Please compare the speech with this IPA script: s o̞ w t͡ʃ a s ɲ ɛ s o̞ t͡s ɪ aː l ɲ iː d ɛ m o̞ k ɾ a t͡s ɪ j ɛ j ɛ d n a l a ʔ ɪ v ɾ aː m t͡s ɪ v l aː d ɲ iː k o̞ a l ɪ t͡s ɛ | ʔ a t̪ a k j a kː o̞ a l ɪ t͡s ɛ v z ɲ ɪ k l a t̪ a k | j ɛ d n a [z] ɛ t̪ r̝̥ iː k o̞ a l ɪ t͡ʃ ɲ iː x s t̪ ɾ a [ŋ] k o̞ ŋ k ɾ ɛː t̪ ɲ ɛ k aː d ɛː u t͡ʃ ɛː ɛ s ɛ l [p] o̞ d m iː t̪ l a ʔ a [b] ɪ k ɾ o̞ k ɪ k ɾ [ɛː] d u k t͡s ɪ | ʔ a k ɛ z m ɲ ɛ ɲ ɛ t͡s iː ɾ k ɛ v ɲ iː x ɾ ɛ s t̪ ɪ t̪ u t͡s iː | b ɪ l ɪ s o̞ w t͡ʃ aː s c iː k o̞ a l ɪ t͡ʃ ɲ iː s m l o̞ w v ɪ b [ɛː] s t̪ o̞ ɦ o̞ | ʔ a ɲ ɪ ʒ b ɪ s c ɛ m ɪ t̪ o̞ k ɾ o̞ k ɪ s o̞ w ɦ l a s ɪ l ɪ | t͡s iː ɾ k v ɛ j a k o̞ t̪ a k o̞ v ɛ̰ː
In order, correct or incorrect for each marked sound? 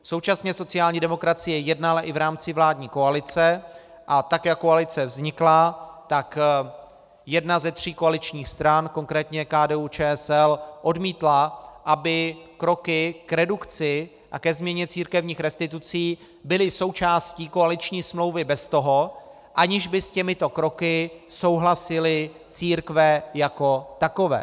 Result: correct, incorrect, incorrect, correct, incorrect, incorrect

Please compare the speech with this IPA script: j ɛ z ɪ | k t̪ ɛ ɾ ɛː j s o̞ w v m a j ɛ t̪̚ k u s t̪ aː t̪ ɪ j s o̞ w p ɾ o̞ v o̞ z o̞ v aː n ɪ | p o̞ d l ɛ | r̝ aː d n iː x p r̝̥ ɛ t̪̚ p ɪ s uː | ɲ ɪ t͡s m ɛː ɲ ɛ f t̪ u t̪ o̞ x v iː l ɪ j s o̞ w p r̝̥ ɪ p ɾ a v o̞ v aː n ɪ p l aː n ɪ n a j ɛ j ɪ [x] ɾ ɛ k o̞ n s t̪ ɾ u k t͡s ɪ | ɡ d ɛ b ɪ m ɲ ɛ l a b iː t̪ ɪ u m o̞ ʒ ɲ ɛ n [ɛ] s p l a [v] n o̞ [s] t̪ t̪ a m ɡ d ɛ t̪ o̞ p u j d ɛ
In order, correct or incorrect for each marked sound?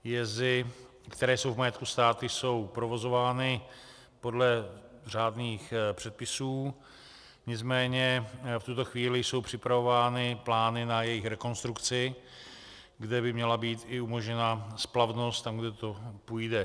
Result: correct, incorrect, correct, correct

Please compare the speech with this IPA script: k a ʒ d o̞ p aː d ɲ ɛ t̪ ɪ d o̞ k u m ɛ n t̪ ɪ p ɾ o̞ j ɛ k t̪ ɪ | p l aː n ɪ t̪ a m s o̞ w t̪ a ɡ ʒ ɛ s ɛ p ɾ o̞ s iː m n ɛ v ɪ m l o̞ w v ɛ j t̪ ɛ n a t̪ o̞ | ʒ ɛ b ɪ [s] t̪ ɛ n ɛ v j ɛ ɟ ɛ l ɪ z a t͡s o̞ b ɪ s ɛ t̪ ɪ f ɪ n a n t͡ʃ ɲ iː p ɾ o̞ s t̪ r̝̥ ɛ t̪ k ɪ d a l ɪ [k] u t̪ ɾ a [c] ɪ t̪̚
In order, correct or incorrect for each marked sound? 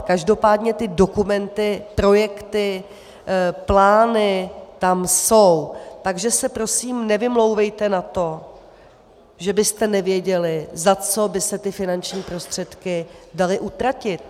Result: correct, incorrect, correct

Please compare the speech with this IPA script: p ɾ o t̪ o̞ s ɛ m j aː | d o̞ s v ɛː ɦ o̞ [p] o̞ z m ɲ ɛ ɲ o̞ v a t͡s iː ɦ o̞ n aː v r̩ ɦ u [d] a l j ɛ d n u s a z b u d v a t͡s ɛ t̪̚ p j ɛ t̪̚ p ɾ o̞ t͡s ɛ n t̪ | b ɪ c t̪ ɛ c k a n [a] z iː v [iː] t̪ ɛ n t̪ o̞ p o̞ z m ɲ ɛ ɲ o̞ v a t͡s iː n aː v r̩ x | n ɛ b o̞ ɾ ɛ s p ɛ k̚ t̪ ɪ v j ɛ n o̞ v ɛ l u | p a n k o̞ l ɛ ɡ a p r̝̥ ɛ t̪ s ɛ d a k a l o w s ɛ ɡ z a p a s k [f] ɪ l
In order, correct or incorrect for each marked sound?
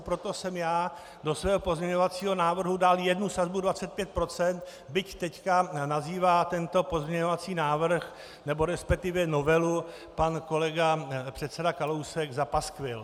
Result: correct, correct, correct, incorrect, incorrect

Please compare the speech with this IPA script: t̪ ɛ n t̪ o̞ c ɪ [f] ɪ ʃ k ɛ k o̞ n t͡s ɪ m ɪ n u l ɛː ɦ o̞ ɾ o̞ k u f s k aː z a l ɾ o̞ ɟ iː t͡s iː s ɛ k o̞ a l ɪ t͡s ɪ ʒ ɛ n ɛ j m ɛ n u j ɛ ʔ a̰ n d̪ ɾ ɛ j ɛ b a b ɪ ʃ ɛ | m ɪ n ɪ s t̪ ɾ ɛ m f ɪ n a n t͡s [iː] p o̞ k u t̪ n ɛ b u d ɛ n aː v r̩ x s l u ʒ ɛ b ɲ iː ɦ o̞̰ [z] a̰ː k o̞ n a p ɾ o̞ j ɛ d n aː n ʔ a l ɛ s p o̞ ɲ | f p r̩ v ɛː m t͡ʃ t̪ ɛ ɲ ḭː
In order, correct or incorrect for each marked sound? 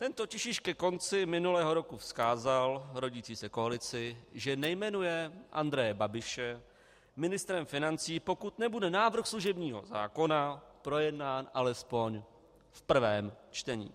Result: incorrect, correct, correct

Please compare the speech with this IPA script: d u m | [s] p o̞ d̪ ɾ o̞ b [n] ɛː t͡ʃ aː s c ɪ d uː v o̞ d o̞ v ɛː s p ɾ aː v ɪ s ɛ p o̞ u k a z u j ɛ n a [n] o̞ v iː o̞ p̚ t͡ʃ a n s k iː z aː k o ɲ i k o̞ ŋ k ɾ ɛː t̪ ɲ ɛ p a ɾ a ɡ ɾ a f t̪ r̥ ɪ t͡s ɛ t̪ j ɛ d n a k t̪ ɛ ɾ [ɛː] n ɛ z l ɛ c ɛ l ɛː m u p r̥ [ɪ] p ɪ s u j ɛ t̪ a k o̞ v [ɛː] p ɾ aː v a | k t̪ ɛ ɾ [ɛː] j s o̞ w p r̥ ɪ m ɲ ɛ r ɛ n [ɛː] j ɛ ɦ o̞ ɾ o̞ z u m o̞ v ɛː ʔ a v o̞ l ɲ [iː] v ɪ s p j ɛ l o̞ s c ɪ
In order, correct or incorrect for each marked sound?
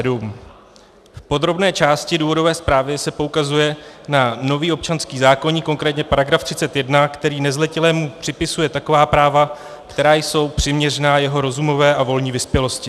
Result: incorrect, correct, correct, incorrect, correct, incorrect, incorrect, incorrect, correct

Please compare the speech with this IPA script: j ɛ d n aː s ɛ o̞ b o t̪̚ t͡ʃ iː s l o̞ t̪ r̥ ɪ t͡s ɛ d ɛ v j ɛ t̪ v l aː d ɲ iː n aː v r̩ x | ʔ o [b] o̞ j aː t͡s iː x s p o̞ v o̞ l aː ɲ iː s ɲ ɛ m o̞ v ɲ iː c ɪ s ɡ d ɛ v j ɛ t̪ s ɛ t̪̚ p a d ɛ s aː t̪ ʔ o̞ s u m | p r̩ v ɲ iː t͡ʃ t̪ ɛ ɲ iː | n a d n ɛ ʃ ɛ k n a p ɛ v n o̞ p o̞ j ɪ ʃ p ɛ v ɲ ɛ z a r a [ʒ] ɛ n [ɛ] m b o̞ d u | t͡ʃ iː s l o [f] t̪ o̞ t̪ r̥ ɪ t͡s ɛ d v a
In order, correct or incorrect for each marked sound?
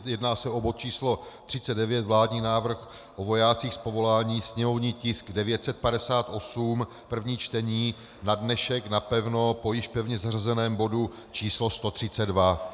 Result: incorrect, incorrect, incorrect, incorrect

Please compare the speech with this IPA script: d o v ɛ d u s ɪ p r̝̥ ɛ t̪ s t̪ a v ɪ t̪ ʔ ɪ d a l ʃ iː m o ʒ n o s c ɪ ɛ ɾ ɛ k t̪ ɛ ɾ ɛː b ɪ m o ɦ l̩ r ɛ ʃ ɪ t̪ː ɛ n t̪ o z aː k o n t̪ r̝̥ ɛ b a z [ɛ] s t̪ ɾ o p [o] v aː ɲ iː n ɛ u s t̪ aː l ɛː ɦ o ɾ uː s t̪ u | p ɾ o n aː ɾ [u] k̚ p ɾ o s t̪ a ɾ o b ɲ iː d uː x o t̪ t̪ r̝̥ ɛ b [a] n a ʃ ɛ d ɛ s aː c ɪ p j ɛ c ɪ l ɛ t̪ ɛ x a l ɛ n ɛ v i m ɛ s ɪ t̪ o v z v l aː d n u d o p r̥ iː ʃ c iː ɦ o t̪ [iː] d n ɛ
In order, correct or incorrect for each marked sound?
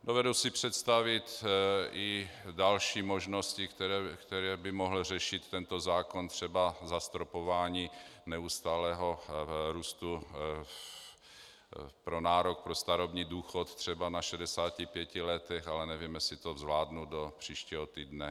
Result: incorrect, correct, incorrect, correct, correct

